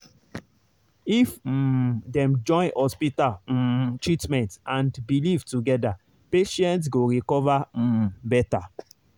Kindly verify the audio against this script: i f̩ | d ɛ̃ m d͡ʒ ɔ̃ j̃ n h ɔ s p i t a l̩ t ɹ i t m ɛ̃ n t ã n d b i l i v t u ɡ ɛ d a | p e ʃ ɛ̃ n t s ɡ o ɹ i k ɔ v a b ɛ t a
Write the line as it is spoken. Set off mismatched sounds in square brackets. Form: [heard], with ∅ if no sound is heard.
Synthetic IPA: i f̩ | d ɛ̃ m d͡ʒ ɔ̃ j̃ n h ɔ s p i t a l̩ t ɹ i t m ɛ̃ n t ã n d b i l i v t u ɡ ɛ d a | p e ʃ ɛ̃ n t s ɡ o ɹ i k ɔ v a b ɛ t a